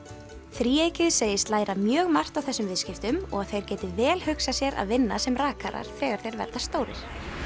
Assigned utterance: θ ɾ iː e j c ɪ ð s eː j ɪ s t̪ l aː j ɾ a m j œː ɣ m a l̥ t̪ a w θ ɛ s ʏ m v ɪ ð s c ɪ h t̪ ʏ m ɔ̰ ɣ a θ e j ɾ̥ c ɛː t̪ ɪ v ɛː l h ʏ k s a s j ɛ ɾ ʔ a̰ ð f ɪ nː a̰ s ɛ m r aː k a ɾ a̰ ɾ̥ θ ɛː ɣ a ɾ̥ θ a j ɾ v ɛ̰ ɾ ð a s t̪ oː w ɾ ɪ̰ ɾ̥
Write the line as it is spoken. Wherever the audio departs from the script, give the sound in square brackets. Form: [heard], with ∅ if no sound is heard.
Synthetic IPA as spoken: θ ɾ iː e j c ɪ ð s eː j ɪ s t̪ l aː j ɾ a m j œː ɣ m a [r̥] t̪ a w θ ɛ s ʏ m v ɪ ð s c ɪ [f] t̪ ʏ m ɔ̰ ɣ a θ e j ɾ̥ c ɛː t̪ ɪ v ɛː l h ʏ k s a s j ɛ ɾ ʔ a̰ ð [v] ɪ nː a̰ s ɛ m r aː k a ɾ a̰ ɾ̥ θ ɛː ɣ a ɾ̥ θ [e] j ɾ v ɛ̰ ɾ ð a s t̪ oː w ɾ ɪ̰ ɾ̥